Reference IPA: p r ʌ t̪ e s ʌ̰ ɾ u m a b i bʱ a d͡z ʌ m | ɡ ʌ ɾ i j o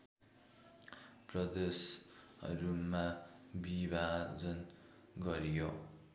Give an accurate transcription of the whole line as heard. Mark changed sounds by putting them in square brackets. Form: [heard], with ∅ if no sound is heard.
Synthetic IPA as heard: p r ʌ [d̪] e s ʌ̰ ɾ u m a b i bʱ a d͡z ʌ [n] | ɡ ʌ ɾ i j o